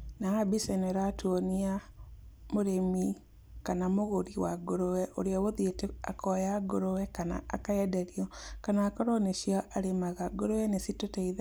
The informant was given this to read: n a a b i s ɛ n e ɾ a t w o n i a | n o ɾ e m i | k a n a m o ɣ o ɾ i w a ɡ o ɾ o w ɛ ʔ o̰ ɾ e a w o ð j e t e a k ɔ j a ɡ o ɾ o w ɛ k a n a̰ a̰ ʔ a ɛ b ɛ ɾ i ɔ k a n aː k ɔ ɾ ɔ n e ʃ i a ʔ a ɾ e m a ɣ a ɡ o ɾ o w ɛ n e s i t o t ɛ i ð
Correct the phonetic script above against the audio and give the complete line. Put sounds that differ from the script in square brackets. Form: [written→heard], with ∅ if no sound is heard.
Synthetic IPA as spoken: n a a b i s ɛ n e ɾ a t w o n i a | [n→m] o ɾ e m i | k a n a m o ɣ o ɾ i w a ɡ o ɾ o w ɛ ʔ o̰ ɾ e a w o ð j e t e a k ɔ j a ɡ o ɾ o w ɛ k a n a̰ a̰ [ʔ→k] a ɛ [b→d] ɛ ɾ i ɔ k a n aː k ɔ ɾ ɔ n e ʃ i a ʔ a ɾ e m a ɣ a ɡ o ɾ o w ɛ n e s i t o t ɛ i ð